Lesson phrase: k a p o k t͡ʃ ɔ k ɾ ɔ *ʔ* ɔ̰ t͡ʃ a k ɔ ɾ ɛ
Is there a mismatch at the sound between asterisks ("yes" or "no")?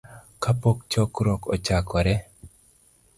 yes